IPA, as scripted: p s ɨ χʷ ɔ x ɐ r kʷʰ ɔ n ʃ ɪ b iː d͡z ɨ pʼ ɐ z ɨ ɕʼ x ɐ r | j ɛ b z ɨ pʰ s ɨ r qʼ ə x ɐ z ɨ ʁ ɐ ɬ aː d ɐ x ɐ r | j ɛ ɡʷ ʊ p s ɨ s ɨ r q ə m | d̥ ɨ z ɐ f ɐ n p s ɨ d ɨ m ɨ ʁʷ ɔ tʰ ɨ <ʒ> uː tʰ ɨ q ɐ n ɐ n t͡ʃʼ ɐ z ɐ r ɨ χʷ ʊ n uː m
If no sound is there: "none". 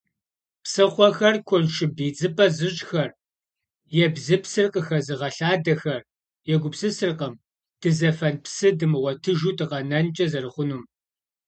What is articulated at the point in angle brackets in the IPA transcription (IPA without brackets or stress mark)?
ʒ